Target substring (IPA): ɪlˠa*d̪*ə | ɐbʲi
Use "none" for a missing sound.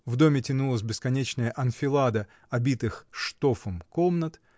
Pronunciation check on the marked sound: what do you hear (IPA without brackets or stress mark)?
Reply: d̪